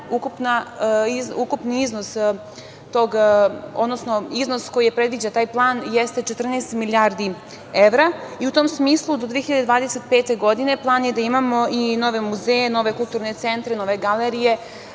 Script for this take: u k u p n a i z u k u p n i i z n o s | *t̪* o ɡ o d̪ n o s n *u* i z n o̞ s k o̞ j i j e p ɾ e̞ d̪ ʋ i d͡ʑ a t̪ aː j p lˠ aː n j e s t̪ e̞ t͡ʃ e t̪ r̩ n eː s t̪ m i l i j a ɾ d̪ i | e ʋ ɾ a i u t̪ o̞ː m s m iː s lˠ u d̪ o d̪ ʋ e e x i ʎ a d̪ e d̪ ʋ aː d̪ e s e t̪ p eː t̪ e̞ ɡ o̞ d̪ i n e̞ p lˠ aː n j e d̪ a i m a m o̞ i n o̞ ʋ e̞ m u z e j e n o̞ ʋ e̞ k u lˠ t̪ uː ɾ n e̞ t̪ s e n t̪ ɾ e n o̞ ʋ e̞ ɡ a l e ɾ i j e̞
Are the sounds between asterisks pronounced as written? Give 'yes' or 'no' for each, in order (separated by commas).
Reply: yes, no